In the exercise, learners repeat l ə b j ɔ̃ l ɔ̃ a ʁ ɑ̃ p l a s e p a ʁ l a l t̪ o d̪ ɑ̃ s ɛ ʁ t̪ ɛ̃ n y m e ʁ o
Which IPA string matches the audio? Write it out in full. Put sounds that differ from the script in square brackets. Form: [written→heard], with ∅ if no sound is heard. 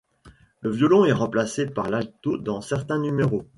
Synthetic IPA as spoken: l ə [b→v] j [ɔ̃→ɔ] l ɔ̃ [a→ɛ] ʁ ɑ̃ p l a s e p a ʁ l a l t̪ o d̪ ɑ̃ s ɛ ʁ t̪ ɛ̃ n y m e ʁ o